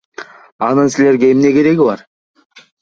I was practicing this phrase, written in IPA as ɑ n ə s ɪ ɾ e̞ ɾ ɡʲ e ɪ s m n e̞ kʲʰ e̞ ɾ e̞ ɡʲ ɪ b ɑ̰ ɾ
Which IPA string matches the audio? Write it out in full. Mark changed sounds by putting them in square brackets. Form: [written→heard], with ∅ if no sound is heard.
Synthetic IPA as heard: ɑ n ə s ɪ [ɾ→l] e̞ ɾ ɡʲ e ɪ [s→∅] m n e̞ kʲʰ e̞ ɾ e̞ ɡʲ ɪ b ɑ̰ ɾ